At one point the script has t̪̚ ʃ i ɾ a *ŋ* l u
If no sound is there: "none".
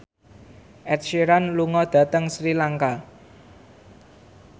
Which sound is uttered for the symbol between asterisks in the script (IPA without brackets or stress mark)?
n